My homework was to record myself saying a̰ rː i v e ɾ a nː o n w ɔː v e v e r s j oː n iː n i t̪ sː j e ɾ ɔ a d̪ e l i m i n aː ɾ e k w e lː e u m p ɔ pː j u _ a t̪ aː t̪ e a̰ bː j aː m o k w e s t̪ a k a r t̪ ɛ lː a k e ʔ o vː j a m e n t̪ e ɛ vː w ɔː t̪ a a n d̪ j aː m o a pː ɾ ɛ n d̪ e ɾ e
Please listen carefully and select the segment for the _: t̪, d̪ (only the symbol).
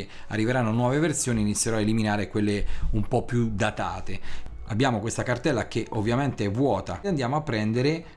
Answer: d̪